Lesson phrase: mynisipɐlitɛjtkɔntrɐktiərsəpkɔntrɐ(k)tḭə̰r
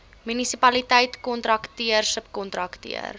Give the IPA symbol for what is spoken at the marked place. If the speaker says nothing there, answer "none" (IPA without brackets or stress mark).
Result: k